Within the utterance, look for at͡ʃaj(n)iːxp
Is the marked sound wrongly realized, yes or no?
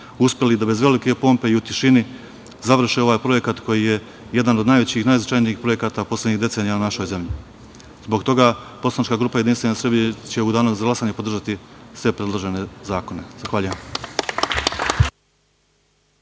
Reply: no